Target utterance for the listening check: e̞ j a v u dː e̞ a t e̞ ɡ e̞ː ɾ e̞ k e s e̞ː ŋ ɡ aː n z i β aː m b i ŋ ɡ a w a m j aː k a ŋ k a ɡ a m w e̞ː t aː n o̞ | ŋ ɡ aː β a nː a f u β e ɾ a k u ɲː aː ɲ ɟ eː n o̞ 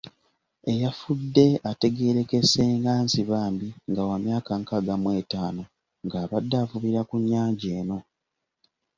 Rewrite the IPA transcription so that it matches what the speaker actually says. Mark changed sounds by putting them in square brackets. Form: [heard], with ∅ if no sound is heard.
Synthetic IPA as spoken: e̞ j a [f] u dː e̞ a t e̞ ɡ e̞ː ɾ e̞ k e s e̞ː ŋ ɡ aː n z i β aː m b i ŋ ɡ a w a m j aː k a ŋ k a ɡ a m w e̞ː t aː n o̞ | ŋ ɡ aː β a [dː] a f u β [i] ɾ a k u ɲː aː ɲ ɟ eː n o̞

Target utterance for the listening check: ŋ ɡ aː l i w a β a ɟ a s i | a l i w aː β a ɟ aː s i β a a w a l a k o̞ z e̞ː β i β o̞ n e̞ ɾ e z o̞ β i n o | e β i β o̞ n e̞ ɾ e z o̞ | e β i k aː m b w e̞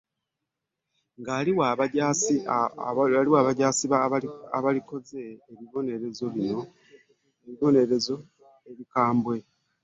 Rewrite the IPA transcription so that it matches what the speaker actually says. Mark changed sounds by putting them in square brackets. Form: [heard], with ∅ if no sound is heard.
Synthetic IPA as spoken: ŋ ɡ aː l i w a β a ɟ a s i | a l i w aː β a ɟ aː s i β a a [β] a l [i] k o̞ z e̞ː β i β o̞ n e̞ ɾ e z o̞ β i n o | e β i β o̞ n e̞ ɾ e z o̞ | e β i k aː m b w e̞

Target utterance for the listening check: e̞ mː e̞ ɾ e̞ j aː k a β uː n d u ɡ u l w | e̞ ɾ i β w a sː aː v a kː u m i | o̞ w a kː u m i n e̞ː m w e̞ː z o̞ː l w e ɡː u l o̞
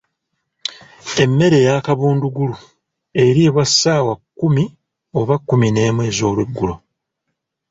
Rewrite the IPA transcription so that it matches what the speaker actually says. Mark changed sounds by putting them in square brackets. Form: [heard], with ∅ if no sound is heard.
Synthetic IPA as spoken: e̞ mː e̞ ɾ e̞ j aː k a β uː n d u ɡ u l [u] | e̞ ɾ i β w a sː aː [w] a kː u m i | o̞ [β] a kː u m i n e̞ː m w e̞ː z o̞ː l w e ɡː u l o̞

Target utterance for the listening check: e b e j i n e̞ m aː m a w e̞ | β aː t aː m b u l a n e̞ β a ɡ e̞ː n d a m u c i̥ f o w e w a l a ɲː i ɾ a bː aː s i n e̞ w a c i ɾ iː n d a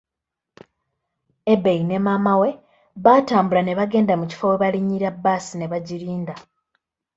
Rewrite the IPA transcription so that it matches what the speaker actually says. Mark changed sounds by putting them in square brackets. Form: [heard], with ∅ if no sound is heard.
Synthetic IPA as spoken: e b e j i n e̞ m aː m a w e̞ | β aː t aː m b u l a n e̞ β a ɡ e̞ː n d a m u c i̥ f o w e [β] a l [i] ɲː i ɾ a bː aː s i n e̞ [β] a [ɟ] i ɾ iː n d a

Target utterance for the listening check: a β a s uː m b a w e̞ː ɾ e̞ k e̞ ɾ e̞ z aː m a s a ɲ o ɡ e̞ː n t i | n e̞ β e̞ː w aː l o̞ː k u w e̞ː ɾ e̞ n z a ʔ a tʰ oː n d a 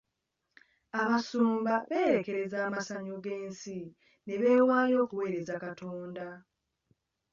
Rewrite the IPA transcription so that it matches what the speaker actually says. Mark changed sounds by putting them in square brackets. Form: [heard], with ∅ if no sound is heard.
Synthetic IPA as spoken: a β a s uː m b a [β] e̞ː ɾ e̞ k e̞ ɾ e̞ z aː m a s a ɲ o ɡ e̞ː n [s] i | n e̞ β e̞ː w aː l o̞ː k u w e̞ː ɾ e̞ [∅] z a [k] a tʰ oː n d a

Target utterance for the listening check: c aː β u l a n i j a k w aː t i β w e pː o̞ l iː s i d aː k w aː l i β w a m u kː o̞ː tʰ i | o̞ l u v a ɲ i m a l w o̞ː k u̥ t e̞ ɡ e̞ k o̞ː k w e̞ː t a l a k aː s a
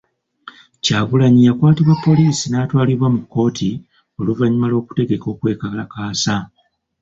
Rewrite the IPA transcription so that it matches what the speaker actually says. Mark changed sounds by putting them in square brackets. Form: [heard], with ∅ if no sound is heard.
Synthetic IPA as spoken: c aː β u l a [ɲ] i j a k w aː t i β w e pː o̞ l iː s i [n] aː [t] w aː l i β w a m u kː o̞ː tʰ i | o̞ l u v a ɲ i m a l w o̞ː k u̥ t e̞ ɡ e̞ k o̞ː k w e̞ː [k] a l a k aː s a

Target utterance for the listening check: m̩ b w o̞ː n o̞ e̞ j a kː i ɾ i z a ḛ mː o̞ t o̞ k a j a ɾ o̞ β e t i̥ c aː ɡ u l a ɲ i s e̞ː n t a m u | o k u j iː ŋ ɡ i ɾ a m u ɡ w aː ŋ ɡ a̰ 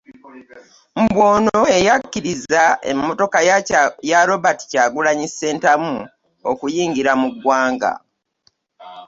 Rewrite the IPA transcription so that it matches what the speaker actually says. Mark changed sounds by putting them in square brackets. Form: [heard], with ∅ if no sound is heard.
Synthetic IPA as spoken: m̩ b w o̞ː n o̞ e̞ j a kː i ɾ i z a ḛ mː o̞ t o̞ k a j a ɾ o̞ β [a] t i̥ c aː ɡ u l a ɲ i s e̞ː n t a m u | o k u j iː ŋ ɡ i ɾ a m u ɡ w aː ŋ ɡ a̰

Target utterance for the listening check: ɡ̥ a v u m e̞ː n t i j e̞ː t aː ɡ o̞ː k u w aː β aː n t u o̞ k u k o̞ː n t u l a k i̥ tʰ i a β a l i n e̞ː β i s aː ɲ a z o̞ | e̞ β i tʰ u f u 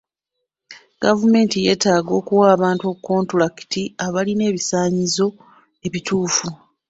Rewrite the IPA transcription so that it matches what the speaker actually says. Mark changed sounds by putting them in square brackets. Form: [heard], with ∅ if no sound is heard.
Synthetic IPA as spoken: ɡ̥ a v u m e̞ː n t i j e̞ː t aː ɡ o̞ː k u w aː β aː n t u o̞ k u k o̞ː n t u l a k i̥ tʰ i a β a l i n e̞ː β i s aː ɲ [i] z o̞ | e̞ β i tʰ [uː] f u

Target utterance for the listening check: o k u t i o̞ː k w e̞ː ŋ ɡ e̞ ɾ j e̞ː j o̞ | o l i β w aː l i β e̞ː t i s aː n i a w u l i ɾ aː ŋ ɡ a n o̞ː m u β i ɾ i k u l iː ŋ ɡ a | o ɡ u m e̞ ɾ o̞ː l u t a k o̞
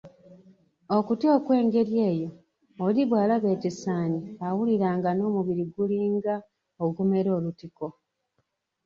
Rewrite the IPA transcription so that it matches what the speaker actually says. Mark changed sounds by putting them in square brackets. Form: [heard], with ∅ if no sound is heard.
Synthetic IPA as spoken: o k u t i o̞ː k w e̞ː ŋ ɡ e̞ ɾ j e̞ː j o̞ | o l i β w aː l [a] β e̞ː t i s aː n i a w u l i ɾ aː ŋ ɡ a n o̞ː m u β i ɾ i [ɡ] u l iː ŋ ɡ a | o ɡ u m e̞ ɾ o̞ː l u t [i] k o̞

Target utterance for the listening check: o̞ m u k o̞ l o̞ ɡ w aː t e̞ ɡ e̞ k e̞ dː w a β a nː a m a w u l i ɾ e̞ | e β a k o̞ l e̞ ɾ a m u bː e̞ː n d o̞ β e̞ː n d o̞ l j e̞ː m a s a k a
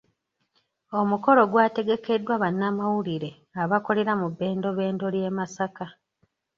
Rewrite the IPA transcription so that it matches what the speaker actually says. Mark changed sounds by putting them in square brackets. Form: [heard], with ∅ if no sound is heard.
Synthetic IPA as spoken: o̞ m u k o̞ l o̞ ɡ w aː t e̞ ɡ e̞ k e̞ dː w a β a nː a m a w u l i ɾ e̞ | [a] β a k o̞ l e̞ ɾ a m u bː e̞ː n d o̞ β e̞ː n d o̞ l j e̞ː m a s a k a

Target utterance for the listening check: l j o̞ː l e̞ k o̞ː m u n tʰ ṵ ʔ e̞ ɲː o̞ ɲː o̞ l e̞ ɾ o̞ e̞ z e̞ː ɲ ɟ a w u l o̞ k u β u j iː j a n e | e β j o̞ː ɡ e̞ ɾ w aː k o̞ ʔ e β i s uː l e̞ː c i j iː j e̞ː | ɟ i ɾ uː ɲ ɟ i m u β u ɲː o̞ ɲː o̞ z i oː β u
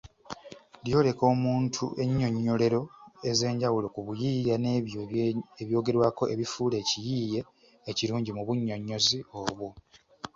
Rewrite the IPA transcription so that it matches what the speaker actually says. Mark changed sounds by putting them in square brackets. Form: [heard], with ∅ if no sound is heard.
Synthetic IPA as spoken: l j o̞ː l e̞ k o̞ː m [uː] n tʰ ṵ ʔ e̞ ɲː o̞ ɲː o̞ l e̞ ɾ o̞ e̞ z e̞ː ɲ ɟ a w u l o̞ k u β u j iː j a n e | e β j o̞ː ɡ e̞ ɾ w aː k o̞ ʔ e β i [f] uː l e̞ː c i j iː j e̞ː | [c] i ɾ uː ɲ ɟ i m u β u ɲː o̞ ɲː o̞ z i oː β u

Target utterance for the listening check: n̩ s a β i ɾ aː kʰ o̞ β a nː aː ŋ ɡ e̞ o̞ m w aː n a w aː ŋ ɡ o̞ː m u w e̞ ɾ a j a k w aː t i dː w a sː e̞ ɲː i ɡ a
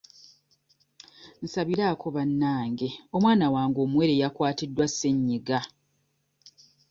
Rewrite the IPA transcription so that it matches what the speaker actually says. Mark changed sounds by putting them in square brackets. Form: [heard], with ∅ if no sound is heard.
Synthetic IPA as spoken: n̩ s a β i ɾ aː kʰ o̞ β a nː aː ŋ ɡ e̞ o̞ m w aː n a w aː ŋ ɡ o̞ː m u w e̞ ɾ [e] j a k w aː t i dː w a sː e̞ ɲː i ɡ a

